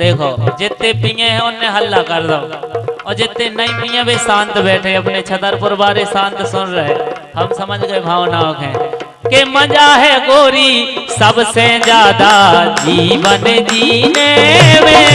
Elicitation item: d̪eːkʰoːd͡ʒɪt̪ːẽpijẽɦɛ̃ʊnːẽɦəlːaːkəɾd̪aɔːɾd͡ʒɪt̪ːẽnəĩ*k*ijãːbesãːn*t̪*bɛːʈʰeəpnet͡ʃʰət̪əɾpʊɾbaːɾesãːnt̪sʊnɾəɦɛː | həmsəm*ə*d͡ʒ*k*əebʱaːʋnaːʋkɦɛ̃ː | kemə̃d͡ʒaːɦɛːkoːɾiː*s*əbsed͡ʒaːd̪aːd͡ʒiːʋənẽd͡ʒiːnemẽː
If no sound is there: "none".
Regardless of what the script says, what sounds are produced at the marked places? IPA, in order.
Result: p, t̪, ə, ɡ, s

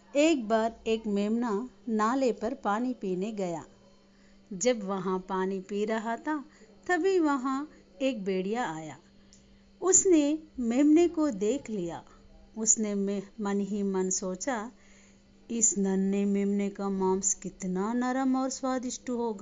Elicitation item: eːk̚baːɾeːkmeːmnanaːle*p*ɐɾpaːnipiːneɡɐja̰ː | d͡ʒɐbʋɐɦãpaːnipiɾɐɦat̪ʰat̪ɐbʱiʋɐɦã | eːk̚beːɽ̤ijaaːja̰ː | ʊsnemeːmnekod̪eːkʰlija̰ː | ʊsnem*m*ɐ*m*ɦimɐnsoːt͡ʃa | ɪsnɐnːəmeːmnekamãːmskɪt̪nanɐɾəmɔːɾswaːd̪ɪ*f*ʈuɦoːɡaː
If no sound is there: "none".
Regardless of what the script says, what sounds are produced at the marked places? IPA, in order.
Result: p, m, n, ʃ

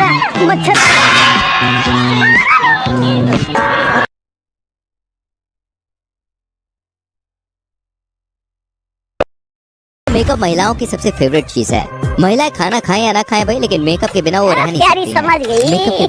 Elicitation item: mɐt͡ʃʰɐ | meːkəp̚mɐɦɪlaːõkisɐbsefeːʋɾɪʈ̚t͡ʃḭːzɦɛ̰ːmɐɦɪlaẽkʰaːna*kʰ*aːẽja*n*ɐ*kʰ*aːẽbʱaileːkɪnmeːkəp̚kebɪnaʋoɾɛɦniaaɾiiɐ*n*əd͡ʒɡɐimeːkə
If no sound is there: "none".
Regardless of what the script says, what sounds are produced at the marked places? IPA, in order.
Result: kʰ, n, kʰ, m

